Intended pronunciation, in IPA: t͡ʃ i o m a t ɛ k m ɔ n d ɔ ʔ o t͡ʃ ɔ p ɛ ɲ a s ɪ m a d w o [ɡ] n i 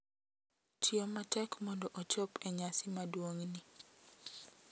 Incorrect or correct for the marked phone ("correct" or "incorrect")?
incorrect